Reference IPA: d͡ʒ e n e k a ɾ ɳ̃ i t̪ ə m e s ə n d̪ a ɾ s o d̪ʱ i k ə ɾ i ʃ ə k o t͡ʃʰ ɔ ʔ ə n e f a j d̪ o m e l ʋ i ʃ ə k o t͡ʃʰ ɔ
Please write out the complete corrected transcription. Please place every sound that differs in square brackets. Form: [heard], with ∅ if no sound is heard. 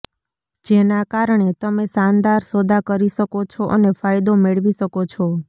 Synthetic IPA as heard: d͡ʒ e n [a] k a ɾ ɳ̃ [e] t̪ ə m e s [a] n d̪ a ɾ s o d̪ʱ [a] k ə ɾ i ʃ ə k o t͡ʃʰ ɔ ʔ ə n e f a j d̪ o m e [ɭ] ʋ i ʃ ə k o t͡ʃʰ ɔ